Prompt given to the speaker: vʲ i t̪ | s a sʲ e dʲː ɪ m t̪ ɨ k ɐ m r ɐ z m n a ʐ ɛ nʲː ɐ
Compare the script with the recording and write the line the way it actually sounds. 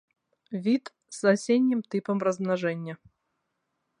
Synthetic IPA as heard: vʲ i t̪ | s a sʲ e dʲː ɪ m t̪ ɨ p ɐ m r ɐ z m n a ʐ ɛ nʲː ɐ